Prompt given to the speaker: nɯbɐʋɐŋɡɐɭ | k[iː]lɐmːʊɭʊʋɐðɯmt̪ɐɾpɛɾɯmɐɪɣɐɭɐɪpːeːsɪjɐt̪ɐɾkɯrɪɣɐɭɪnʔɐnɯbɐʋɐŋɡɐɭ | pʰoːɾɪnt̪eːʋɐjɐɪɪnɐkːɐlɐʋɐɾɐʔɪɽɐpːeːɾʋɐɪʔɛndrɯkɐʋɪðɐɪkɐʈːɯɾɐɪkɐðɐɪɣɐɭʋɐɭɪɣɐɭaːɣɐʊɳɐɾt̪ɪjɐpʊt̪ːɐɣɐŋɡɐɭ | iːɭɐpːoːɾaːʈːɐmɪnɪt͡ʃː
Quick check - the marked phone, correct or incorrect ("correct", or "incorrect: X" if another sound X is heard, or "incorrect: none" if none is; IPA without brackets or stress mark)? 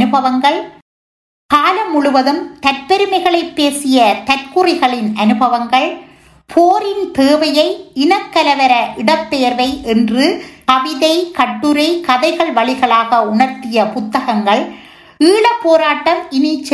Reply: incorrect: aː